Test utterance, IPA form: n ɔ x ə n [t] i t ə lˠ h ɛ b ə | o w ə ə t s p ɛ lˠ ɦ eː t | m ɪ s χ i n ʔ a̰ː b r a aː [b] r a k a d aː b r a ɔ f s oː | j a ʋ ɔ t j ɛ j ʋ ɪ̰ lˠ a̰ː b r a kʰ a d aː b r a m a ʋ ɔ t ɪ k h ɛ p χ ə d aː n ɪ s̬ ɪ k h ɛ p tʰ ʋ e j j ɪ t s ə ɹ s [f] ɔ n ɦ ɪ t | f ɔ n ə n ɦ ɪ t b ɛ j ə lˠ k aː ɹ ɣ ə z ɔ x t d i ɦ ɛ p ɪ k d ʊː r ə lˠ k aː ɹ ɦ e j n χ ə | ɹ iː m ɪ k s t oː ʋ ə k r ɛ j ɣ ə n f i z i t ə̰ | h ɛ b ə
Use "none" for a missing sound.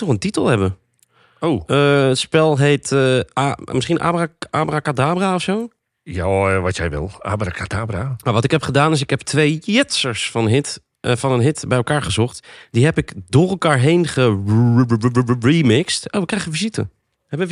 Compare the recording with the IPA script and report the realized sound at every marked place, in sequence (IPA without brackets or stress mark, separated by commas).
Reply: t, b, f